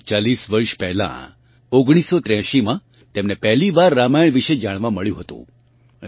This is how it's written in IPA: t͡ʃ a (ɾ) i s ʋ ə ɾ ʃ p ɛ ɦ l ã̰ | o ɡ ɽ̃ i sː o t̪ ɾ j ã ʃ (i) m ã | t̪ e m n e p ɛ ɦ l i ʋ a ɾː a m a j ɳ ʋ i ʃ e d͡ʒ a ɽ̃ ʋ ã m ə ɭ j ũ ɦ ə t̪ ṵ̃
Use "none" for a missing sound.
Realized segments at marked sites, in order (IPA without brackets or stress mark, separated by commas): l, i